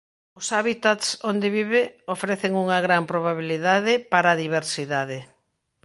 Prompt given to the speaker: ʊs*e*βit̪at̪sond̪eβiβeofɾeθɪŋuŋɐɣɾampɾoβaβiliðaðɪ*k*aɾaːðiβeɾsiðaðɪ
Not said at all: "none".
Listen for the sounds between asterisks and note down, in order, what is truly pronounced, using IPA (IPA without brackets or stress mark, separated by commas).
a, p